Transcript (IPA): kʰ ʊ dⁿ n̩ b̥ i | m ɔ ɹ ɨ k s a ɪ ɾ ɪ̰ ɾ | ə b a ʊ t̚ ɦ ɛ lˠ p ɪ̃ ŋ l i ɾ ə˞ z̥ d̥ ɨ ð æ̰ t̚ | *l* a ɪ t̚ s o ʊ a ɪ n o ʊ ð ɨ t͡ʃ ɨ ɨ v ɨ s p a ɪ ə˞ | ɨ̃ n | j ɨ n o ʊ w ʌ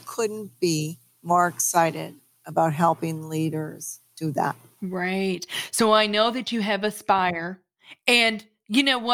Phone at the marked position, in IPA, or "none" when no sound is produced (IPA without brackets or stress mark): ɹ